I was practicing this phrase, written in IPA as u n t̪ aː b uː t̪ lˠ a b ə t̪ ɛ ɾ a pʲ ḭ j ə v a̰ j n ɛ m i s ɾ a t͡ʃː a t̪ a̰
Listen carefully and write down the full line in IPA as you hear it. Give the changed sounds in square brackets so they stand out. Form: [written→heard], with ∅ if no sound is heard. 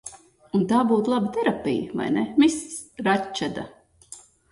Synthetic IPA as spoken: u n t̪ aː b uː t̪ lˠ a b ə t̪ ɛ ɾ a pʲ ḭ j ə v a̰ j n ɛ m i s ɾ a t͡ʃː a [t̪→d̪] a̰